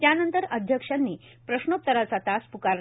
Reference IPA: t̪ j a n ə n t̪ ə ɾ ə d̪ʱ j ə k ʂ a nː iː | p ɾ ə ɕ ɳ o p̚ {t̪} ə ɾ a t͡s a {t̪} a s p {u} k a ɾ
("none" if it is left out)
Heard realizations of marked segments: t̪, t̪, u

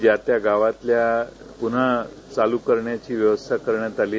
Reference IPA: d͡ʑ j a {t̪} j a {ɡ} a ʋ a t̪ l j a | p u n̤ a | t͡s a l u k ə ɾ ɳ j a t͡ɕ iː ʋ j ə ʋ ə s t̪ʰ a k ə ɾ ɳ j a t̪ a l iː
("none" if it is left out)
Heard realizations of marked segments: t̪, ɡ

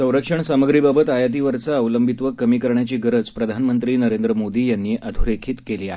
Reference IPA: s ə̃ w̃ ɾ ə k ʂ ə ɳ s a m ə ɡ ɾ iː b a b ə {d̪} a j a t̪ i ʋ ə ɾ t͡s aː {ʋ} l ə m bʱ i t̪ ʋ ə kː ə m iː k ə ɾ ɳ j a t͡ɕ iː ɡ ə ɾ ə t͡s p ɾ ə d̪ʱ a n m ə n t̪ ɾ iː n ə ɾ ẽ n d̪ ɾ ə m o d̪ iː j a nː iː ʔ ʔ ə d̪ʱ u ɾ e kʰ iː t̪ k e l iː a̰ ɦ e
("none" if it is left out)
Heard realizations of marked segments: t̪, ʋ

